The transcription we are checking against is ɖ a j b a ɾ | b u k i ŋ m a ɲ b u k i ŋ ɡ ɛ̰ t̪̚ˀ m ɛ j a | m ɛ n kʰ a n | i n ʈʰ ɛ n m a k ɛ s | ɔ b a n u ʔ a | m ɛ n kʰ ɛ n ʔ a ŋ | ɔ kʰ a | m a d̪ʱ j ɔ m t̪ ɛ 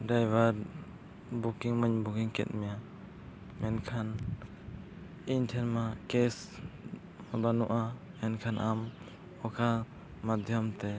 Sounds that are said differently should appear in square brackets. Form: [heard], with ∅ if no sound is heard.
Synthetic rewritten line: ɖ a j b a ɾ | b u k i ŋ m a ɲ b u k i ŋ [k] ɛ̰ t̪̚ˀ m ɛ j a | m ɛ n kʰ a n | i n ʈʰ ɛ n m a k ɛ s | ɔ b a n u ʔ a | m ɛ n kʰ [a] n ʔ a [m] | ɔ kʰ a | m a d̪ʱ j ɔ m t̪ ɛ